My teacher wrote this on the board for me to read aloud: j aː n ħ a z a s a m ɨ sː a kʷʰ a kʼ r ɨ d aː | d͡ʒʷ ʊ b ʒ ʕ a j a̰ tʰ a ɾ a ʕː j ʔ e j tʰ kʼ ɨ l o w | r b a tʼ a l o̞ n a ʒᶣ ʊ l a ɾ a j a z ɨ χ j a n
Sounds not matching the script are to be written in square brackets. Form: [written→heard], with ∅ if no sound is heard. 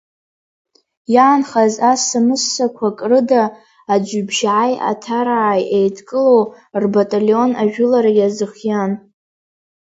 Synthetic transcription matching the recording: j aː n [ħ→χ] a z a s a m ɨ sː a kʷʰ a kʼ r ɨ d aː | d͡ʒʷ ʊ b ʒ ʕ a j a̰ tʰ a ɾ a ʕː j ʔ e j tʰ kʼ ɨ l o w | r b a tʼ a l o̞ n a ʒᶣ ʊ l a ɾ a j a z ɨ χ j a n